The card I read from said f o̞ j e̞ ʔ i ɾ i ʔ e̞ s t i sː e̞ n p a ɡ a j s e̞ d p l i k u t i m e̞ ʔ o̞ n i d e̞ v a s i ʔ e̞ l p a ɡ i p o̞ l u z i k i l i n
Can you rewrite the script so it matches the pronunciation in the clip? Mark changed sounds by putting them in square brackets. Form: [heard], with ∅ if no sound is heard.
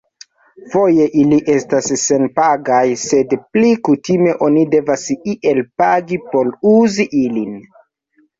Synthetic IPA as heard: f o̞ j e̞ ʔ i [l] i ʔ e̞ s t [a] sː e̞ n p a ɡ a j s e̞ d p l i k u t i m e̞ ʔ o̞ n i d e̞ v a s i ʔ e̞ l p a ɡ i p o̞ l u z i [ʔ] i l i n